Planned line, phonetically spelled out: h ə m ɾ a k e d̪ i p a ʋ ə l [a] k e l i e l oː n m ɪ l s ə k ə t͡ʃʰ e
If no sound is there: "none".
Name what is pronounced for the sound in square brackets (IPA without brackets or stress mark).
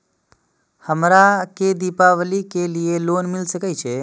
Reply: i